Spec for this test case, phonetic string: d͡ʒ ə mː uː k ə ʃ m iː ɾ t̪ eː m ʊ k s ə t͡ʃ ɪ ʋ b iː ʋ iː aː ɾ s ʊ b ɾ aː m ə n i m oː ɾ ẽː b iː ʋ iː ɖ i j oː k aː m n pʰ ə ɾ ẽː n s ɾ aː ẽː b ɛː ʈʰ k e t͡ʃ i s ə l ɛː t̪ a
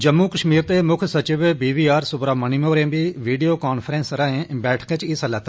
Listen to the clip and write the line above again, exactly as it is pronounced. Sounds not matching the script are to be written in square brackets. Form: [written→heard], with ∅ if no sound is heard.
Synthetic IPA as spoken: d͡ʒ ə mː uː k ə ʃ m iː ɾ t̪ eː m ʊ [k→kʰ] s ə t͡ʃ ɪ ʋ b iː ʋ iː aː ɾ s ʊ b ɾ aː m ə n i m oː ɾ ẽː b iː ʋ iː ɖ i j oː k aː [m→∅] n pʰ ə ɾ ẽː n s ɾ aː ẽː b ɛː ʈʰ k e t͡ʃ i s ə l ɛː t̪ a